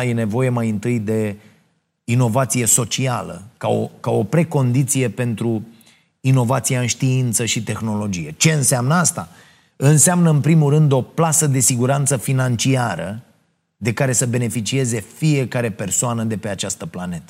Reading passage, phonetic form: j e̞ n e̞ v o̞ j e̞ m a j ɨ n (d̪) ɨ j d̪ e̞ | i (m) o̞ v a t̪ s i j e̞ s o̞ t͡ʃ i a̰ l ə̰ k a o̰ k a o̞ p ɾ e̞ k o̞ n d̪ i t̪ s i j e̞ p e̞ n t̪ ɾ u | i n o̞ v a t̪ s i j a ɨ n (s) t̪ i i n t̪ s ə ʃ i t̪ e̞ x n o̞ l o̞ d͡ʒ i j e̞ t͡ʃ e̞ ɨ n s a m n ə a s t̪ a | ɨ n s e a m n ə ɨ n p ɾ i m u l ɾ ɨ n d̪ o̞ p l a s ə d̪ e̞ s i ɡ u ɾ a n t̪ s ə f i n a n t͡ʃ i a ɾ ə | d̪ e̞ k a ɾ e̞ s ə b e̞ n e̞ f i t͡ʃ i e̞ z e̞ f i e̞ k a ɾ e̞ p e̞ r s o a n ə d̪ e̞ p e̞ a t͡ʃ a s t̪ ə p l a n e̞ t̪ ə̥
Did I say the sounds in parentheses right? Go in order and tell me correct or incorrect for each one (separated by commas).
incorrect, incorrect, incorrect